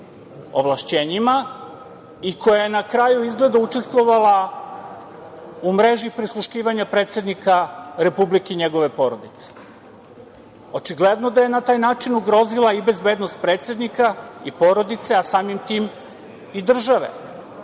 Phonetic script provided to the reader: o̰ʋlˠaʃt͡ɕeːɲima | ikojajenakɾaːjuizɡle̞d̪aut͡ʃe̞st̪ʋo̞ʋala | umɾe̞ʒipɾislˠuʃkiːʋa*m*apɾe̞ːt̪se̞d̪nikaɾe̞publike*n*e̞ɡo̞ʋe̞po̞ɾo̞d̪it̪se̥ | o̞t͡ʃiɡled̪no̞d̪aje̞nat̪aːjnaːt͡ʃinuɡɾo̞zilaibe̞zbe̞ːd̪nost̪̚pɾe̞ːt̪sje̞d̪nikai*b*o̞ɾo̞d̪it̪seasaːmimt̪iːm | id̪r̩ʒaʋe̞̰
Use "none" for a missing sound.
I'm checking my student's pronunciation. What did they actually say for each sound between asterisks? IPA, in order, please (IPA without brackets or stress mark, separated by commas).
ɲ, ɲ, p